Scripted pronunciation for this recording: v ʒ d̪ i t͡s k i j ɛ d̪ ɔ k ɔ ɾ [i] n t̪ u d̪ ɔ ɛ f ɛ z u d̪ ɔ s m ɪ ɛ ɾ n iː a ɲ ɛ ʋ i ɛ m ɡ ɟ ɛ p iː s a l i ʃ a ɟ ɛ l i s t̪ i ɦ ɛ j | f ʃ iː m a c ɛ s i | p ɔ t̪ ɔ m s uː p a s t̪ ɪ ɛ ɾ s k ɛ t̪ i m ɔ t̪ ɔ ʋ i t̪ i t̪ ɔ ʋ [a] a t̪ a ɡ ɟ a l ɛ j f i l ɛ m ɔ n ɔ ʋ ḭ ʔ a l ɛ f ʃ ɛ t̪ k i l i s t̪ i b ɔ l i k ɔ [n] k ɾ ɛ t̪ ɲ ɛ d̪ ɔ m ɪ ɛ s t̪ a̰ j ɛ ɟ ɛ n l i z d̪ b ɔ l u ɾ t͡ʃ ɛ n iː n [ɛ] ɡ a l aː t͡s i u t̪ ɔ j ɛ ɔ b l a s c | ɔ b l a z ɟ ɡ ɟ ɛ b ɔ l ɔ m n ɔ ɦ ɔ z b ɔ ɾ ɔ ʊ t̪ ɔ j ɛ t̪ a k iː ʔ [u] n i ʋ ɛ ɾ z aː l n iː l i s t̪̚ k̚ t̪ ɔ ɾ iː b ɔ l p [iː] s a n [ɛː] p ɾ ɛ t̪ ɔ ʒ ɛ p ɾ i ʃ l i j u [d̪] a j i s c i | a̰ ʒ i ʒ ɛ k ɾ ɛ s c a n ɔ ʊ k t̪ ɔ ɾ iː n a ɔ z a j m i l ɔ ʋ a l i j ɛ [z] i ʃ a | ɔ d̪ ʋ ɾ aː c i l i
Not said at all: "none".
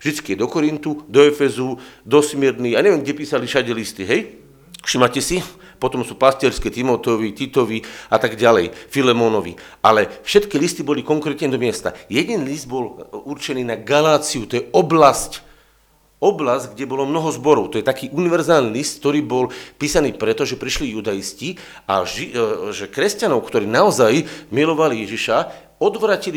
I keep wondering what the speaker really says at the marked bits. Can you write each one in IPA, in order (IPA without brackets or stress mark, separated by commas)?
i, i, ŋ, a, u, iː, iː, d̪, ʒ